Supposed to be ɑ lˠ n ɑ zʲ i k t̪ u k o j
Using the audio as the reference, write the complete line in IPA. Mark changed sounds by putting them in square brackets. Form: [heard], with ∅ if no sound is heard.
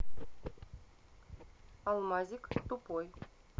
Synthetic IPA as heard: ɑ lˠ [m] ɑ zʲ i k t̪ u [p] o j

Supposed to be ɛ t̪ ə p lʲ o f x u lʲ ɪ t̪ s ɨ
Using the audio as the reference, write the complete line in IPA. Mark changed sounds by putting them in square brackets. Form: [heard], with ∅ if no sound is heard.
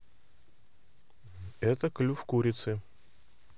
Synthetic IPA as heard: ɛ t̪ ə [k] lʲ [u] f [k] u [ɾʲ] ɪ t̪ s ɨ

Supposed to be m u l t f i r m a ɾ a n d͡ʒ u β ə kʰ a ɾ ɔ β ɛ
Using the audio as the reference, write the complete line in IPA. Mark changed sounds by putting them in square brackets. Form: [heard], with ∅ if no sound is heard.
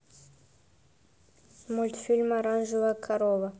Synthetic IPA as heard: m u l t f i [l] m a ɾ a n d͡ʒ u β [a] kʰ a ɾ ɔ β [a]

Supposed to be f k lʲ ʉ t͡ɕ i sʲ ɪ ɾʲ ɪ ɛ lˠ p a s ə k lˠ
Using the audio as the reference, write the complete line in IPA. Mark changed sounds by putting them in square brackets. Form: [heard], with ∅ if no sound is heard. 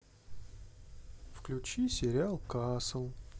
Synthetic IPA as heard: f k lʲ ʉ t͡ɕ i sʲ ɪ ɾʲ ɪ [a] lˠ [k] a s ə [∅] lˠ

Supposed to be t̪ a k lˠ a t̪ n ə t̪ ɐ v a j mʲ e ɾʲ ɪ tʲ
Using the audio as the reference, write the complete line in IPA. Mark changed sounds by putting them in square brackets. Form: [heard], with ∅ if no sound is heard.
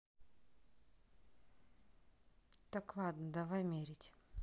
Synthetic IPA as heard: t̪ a k lˠ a [d̪] n ə [d̪] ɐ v a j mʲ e ɾʲ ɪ tʲ

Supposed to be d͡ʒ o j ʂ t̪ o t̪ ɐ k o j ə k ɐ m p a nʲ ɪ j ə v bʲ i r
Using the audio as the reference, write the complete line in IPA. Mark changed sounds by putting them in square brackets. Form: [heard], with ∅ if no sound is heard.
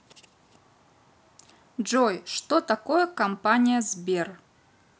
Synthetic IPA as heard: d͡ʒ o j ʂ t̪ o t̪ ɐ k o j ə k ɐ m p a nʲ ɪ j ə [z] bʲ [e] r

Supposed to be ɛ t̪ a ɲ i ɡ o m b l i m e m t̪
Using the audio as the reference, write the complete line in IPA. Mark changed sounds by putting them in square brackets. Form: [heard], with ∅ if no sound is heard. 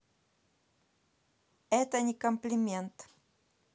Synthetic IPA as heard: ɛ t̪ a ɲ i [k] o m [p] l i m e [n] t̪

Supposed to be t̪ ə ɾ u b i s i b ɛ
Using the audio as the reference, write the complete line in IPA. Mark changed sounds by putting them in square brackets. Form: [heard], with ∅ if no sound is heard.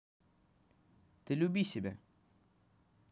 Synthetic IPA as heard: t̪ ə [l] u b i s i b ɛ

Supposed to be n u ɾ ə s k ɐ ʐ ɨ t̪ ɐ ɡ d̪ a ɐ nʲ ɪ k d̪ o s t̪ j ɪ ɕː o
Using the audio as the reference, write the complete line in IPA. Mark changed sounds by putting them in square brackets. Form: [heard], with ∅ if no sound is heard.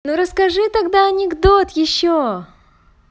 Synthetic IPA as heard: n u ɾ ə s k ɐ ʐ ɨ t̪ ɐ ɡ d̪ a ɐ nʲ ɪ [ɡ] d̪ o [∅] t̪ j ɪ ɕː o

